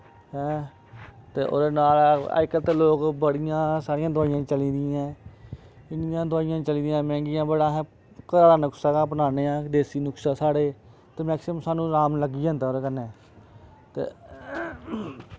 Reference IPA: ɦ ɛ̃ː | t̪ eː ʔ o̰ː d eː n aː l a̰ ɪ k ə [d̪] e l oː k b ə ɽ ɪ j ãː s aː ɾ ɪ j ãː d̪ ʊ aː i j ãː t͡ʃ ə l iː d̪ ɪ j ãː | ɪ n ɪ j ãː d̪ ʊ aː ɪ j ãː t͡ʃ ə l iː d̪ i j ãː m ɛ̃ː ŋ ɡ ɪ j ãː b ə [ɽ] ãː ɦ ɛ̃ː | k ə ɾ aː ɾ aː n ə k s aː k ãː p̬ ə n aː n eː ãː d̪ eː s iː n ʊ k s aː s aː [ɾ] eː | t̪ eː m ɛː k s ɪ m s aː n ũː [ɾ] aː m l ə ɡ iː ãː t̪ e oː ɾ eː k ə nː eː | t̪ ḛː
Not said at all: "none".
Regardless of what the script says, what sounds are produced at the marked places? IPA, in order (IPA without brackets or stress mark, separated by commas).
t̪, ɽ, ɽ, ɾ